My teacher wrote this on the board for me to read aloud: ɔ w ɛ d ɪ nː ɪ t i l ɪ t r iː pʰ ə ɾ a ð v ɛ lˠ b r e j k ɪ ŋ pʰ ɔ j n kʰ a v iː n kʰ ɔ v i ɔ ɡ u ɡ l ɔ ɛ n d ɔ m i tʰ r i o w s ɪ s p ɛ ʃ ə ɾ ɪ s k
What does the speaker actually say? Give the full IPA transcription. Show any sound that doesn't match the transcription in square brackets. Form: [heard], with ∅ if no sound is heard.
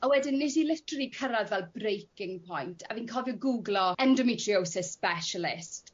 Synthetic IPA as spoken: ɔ w ɛ d ɪ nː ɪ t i l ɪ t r [i] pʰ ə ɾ a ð v ɛ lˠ b r e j k ɪ ŋ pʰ ɔ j n [tʰ] a v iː n kʰ ɔ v [j] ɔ ɡ u ɡ l ɔ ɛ n d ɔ m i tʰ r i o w s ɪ s p ɛ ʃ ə [l] ɪ s [t]